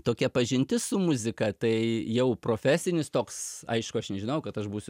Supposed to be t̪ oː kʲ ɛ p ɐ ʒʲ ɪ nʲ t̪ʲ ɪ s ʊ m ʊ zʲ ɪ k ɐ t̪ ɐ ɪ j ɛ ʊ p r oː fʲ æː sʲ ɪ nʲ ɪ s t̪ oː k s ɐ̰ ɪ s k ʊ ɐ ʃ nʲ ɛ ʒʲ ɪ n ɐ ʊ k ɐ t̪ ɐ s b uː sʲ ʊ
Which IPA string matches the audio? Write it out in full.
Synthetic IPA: t̪ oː kʲ ɛ p ɐ ʒʲ ɪ nʲ t̪ʲ ɪ s ʊ m ʊ zʲ ɪ k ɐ t̪ ɐ ɪ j ɛ ʊ p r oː fʲ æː sʲ ɪ nʲ ɪ s t̪ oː k s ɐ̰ ɪ ʃ k ʊ ɐ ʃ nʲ ɛ ʒʲ ɪ n ɐ ʊ k ɐ t̪ ɐ ʃ b uː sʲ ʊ